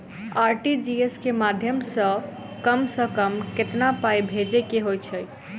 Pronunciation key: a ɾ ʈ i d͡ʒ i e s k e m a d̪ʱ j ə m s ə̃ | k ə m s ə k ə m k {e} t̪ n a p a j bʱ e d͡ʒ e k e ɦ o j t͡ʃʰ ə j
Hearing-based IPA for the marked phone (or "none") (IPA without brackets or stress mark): e